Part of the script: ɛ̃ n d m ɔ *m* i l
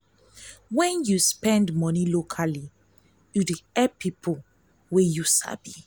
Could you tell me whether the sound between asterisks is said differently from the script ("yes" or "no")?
yes